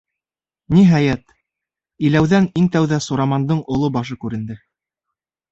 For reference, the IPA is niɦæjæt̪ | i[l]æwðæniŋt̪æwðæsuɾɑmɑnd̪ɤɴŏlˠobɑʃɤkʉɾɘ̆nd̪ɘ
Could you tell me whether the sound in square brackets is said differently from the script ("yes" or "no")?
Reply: no